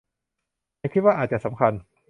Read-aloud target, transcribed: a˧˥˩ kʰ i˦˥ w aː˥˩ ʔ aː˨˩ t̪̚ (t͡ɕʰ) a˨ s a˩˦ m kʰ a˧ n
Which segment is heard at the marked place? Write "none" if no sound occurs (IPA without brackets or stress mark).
t͡ɕ